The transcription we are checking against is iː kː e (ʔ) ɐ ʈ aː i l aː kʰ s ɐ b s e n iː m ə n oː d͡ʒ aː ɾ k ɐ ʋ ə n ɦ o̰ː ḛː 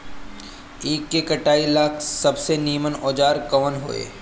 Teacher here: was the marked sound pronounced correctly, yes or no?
no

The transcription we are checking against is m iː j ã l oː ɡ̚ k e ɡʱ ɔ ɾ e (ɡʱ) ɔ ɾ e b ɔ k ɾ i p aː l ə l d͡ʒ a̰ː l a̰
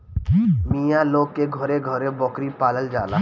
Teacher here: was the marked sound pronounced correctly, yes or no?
yes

